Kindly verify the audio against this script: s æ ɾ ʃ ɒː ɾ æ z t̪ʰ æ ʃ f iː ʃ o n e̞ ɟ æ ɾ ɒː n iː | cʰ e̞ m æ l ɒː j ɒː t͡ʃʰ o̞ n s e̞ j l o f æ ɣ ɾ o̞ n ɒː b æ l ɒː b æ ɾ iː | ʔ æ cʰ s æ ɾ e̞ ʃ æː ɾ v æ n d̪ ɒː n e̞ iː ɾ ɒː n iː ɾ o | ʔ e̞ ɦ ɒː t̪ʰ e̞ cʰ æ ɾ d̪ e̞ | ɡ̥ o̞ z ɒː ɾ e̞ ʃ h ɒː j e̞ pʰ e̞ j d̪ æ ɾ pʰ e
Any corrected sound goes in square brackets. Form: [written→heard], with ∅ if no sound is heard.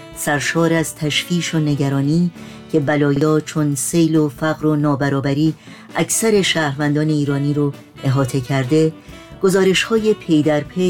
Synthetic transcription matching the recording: s æ ɾ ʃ ɒː ɾ æ z t̪ʰ æ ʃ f iː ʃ o n e̞ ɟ æ ɾ ɒː n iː | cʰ e̞ [m→b] æ l ɒː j ɒː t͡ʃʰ o̞ n s e̞ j l o f æ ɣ ɾ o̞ n ɒː b æ [l→ɾ] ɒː b æ ɾ iː | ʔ æ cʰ s æ ɾ e̞ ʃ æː ɾ v æ n d̪ ɒː n e̞ iː ɾ ɒː n iː ɾ o | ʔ e̞ ɦ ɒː t̪ʰ e̞ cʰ æ ɾ d̪ e̞ | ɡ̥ o̞ z ɒː ɾ e̞ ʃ h ɒː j e̞ pʰ e̞ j d̪ æ ɾ pʰ e